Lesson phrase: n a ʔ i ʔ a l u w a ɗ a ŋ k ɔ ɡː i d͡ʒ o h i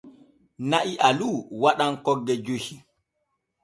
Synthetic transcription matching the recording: n a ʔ i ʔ a l u w a ɗ a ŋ k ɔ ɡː ɛ d͡ʒ o h i